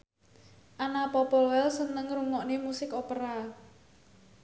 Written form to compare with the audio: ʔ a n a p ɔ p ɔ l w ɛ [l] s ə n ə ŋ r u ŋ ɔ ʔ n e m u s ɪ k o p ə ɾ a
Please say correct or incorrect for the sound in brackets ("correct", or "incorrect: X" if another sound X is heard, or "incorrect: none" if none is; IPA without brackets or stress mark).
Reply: correct